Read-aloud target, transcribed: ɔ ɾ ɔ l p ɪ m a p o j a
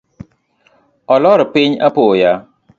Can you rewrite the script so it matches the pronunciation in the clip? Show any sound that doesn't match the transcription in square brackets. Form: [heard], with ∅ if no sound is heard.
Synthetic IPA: ɔ [l] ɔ [ɾ] p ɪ [ɲ] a p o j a